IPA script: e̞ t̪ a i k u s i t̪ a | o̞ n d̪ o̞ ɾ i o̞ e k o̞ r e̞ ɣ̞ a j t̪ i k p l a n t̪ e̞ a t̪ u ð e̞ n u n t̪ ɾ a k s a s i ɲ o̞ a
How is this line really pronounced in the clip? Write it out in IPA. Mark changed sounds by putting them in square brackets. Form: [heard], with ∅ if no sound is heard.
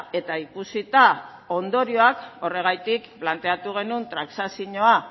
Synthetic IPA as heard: e̞ t̪ a i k u s i t̪ a | o̞ n d̪ o̞ ɾ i o̞ [a] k o̞ r e̞ ɣ̞ a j t̪ i k p l a n t̪ e̞ a t̪ u [ɣ] e̞ n u n t̪ ɾ a k s a s i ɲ o̞ a